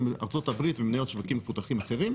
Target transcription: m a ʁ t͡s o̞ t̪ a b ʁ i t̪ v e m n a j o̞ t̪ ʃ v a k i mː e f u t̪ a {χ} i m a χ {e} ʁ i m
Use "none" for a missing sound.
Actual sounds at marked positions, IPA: χ, e

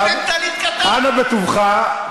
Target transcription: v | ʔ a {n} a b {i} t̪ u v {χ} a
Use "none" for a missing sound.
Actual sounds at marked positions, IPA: n, e, χ

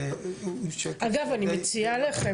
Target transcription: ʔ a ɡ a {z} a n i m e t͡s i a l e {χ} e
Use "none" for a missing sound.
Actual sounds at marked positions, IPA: v, χ

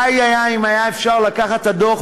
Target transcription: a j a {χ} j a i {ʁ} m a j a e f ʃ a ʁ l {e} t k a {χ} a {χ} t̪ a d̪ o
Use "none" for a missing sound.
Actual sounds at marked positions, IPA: none, none, a, χ, none

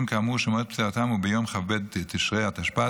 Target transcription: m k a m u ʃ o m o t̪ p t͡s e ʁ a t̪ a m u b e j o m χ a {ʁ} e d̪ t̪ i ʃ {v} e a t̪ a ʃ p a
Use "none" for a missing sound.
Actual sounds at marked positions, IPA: v, ʁ

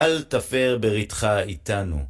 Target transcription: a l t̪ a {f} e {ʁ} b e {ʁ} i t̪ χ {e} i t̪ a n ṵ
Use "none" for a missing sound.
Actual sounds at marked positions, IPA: f, ʁ, ʁ, a

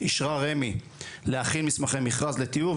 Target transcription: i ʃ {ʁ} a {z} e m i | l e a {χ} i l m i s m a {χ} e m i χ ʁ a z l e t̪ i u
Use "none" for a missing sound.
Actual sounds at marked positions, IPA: ʁ, ʁ, χ, χ

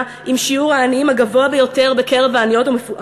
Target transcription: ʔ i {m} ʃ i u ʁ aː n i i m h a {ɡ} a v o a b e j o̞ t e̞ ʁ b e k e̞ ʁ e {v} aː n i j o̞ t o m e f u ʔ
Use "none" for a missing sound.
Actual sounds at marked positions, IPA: m, ɡ, v

